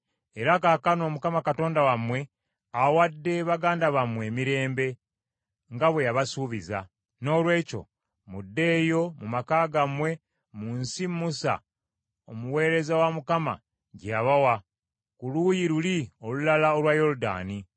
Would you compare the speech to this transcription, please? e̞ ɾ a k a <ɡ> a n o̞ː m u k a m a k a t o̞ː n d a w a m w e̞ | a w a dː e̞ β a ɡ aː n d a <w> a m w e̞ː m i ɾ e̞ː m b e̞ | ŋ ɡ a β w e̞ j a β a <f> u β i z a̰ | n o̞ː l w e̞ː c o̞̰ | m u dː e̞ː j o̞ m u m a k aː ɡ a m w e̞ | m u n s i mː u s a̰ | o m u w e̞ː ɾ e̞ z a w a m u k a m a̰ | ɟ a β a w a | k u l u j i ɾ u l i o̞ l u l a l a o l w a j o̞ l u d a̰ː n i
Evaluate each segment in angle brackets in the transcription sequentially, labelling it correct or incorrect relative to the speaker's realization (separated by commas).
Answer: incorrect, incorrect, incorrect